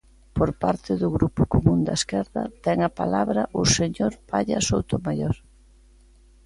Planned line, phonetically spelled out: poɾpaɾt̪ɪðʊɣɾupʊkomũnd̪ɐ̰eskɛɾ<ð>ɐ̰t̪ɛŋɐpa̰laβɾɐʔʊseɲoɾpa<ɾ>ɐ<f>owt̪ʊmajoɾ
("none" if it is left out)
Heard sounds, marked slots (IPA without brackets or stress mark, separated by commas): ð, ʎ, s